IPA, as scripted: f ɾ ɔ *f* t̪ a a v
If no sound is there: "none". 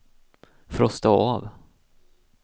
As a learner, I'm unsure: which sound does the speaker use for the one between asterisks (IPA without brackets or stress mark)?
s